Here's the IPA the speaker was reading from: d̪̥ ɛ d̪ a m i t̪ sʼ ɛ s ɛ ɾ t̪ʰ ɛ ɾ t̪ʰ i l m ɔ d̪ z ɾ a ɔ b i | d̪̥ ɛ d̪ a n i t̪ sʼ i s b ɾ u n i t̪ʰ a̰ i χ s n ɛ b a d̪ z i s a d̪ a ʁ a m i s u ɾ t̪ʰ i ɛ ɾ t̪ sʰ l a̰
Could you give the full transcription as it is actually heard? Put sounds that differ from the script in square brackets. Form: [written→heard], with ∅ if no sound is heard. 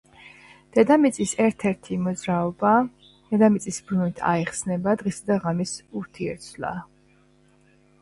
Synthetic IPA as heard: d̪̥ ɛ d̪ a m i t̪ sʼ [ɛ→i] s ɛ ɾ t̪ʰ ɛ ɾ t̪ʰ i [l→∅] m ɔ d̪ z ɾ a ɔ b [i→a] | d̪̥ ɛ d̪ a [n→m] i t̪ sʼ i s b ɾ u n i t̪ʰ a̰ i χ s n ɛ b a d̪ [z→ʁ] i s a d̪ a ʁ a m i s u ɾ t̪ʰ i ɛ ɾ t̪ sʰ l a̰

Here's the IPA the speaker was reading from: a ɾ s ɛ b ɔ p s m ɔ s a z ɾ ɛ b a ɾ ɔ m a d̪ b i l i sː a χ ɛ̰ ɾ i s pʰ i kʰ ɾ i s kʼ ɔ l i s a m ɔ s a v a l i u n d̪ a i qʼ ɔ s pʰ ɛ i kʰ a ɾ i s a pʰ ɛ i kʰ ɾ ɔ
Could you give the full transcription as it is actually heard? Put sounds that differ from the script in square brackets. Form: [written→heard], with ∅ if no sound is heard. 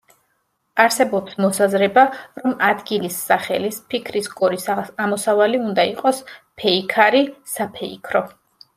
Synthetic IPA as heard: a ɾ s ɛ b ɔ p s m ɔ s a z ɾ ɛ b a ɾ ɔ m a d̪ [b→ɡ] i l i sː a χ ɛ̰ [ɾ→l] i s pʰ i kʰ ɾ i s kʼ ɔ [l→ɾ] i s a m ɔ s a v a l i u n d̪ a i qʼ ɔ s pʰ ɛ i kʰ a ɾ i s a pʰ ɛ i kʰ ɾ ɔ

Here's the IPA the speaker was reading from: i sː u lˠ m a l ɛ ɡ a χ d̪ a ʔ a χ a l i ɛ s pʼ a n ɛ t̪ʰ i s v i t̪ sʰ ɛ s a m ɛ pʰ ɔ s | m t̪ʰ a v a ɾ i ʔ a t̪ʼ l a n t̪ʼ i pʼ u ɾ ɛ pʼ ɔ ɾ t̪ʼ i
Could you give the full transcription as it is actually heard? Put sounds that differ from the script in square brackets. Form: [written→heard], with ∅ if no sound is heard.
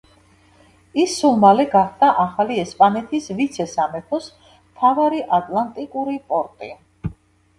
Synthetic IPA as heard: i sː u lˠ m a l ɛ ɡ a χ d̪ a ʔ a χ a l i ɛ s pʼ a n ɛ t̪ʰ i s v i t̪ sʰ ɛ s a m ɛ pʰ ɔ s | m t̪ʰ a v a ɾ i ʔ a t̪ʼ l a n t̪ʼ i [pʼ→kʼ] u ɾ [ɛ→i] pʼ ɔ ɾ t̪ʼ i

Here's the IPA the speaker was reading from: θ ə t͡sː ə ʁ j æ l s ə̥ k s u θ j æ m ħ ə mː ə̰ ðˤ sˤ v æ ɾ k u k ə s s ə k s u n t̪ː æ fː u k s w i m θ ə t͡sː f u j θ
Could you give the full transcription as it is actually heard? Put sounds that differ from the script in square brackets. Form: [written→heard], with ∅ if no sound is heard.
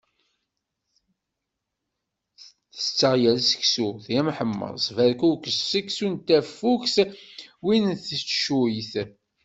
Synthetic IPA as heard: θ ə t͡sː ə ʁ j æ l s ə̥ k s u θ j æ m ħ ə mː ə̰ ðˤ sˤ v æ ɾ k u k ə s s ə k s u n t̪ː æ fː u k s w i [m→n] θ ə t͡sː [f→ʃ] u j θ

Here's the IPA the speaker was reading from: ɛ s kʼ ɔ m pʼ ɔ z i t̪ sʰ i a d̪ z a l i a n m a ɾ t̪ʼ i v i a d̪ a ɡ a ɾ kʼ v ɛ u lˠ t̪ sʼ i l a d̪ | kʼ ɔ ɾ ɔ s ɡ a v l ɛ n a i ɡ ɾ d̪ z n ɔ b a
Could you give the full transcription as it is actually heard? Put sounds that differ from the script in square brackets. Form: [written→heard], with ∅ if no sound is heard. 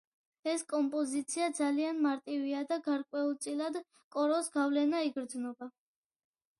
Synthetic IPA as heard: ɛ s kʼ ɔ m pʼ ɔ z i t̪ sʰ i a d̪ z a l i a n m a ɾ t̪ʼ i v i a d̪ a ɡ a ɾ kʼ [v→w] ɛ u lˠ t̪ sʼ i l a d̪ | kʼ ɔ ɾ ɔ s ɡ a v l ɛ n a i ɡ ɾ d̪ z n ɔ b a

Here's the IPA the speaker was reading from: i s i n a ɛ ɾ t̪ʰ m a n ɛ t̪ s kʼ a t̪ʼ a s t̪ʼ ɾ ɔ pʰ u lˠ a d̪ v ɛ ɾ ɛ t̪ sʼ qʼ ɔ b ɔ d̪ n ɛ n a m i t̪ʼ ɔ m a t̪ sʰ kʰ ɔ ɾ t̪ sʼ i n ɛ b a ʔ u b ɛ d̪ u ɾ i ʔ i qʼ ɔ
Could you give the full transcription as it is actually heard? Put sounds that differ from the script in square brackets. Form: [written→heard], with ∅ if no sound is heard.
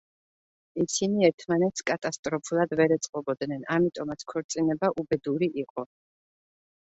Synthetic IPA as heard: i s i n [a→i] ɛ ɾ t̪ʰ m a n ɛ t̪ s kʼ a t̪ʼ a s t̪ʼ ɾ ɔ pʰ u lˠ a d̪ v ɛ ɾ ɛ t̪ sʼ qʼ ɔ b ɔ d̪ n ɛ n a m i t̪ʼ ɔ m a t̪ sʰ kʰ ɔ ɾ t̪ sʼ i n ɛ b a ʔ u b ɛ d̪ u ɾ i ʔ i qʼ ɔ

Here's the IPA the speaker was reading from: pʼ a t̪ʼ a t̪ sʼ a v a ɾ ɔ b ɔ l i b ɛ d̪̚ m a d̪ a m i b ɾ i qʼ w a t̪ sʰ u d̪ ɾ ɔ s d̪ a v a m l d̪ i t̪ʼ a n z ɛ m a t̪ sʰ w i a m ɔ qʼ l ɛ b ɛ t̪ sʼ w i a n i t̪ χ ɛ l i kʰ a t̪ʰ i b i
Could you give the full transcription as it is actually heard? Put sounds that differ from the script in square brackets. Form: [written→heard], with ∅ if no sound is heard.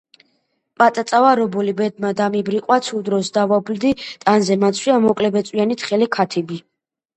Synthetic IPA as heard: pʼ a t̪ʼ a t̪ sʼ a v a ɾ ɔ b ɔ l i b ɛ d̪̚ m a d̪ a m i b ɾ i qʼ w a t̪ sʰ u d̪ ɾ ɔ s d̪ a v a [m→b] l d̪ i t̪ʼ a n z ɛ m a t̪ sʰ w i a m ɔ [qʼ→kʼ] l ɛ b ɛ t̪ sʼ w i a n i t̪ χ ɛ l i kʰ a t̪ʰ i b i

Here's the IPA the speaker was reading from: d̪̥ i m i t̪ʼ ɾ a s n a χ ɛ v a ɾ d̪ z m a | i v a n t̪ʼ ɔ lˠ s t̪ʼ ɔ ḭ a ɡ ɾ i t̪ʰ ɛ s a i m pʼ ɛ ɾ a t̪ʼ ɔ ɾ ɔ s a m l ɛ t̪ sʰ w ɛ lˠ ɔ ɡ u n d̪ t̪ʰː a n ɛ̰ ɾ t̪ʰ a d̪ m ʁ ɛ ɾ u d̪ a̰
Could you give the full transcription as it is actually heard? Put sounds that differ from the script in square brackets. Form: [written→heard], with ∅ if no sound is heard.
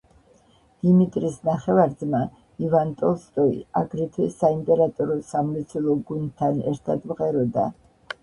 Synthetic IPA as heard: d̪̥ i m i t̪ʼ ɾ [a→i] s n a χ ɛ v a ɾ d̪ z m a | i v a n t̪ʼ ɔ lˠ s t̪ʼ ɔ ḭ a ɡ ɾ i t̪ʰ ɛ s a i m pʼ ɛ ɾ a t̪ʼ ɔ ɾ ɔ s a m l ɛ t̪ sʰ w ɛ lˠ ɔ ɡ u n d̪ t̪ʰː a n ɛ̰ ɾ t̪ʰ a d̪ m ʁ ɛ ɾ [u→ɔ] d̪ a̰

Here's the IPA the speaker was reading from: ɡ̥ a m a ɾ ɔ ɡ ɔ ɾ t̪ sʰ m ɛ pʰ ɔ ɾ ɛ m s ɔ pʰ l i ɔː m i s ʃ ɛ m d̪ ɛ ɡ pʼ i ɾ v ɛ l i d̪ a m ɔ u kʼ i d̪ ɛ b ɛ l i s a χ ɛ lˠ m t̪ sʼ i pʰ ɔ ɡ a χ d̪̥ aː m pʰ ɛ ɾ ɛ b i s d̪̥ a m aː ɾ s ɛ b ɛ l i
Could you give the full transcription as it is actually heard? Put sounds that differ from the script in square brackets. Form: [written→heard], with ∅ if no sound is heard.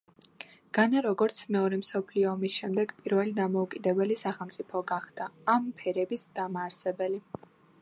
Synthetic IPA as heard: ɡ̥ a [m→n] a ɾ ɔ ɡ ɔ ɾ t̪ sʰ m ɛ [pʰ→∅] ɔ ɾ ɛ m s ɔ pʰ l i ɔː m i s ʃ ɛ m d̪ ɛ ɡ pʼ i ɾ v ɛ l i d̪ a m ɔ u kʼ i d̪ ɛ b ɛ l i s a χ ɛ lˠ m t̪ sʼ i pʰ ɔ ɡ a χ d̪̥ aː m pʰ ɛ ɾ ɛ b i s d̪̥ a m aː ɾ s ɛ b ɛ l i

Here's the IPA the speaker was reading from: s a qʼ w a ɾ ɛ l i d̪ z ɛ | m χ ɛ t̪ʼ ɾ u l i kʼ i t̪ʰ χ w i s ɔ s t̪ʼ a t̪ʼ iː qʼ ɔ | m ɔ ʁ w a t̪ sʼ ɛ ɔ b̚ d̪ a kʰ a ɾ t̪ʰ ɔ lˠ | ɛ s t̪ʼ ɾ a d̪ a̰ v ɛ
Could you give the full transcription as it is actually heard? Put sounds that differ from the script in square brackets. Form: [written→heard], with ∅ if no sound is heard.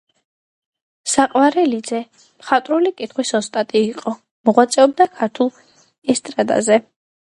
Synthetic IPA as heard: s a qʼ w a ɾ ɛ l i d̪ z ɛ | m χ [ɛ→a] t̪ʼ ɾ u l i kʼ i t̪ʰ χ w i s ɔ s t̪ʼ a t̪ʼ iː qʼ ɔ | m ɔ ʁ w a t̪ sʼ ɛ ɔ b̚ d̪ a kʰ a ɾ t̪ʰ [ɔ→u] lˠ | ɛ s t̪ʼ ɾ a d̪ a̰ [v→z] ɛ

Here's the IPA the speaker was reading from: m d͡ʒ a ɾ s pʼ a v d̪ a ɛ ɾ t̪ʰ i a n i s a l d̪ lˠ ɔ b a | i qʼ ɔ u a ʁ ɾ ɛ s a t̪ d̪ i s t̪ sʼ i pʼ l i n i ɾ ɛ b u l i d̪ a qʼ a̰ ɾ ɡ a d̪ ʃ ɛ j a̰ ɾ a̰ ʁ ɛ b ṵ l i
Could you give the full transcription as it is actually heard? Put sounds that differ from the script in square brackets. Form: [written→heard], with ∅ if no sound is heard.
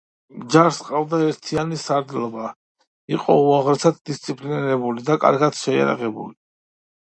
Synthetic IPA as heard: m d͡ʒ a ɾ s [pʼ→qʼ] a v d̪ a ɛ ɾ t̪ʰ i a n i s a [l→ɾ] d̪ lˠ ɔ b a | i qʼ ɔ u a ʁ ɾ ɛ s a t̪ d̪ i s t̪ sʼ i pʼ l i n i ɾ ɛ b u l i d̪ a [qʼ→kʼ] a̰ ɾ ɡ a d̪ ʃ ɛ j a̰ ɾ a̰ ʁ ɛ b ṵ l i

